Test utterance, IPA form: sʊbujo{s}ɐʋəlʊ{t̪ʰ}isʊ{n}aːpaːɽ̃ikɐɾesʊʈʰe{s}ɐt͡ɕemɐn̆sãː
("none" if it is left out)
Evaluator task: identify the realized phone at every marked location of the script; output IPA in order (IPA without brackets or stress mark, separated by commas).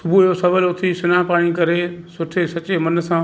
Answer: s, t̪ʰ, n, s